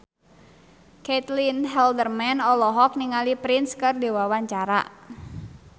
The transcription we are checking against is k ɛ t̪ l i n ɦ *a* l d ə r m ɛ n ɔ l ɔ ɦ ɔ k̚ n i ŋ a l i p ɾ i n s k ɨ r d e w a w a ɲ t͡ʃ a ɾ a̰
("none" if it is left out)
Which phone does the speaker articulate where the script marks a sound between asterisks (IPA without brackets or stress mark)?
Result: ɛ